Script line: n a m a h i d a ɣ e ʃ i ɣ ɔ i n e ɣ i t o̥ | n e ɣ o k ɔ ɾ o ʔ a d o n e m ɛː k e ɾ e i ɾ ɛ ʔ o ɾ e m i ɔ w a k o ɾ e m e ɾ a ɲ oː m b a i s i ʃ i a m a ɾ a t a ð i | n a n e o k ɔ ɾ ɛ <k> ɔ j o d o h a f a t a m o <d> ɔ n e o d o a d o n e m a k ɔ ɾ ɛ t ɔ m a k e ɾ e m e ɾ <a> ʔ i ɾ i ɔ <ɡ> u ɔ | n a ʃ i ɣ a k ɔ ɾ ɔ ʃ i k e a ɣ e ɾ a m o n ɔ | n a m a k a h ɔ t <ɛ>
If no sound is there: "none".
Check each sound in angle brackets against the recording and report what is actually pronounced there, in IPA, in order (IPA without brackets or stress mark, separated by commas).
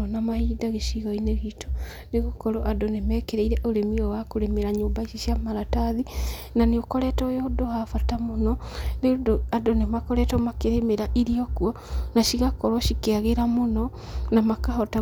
t, n, a, k, a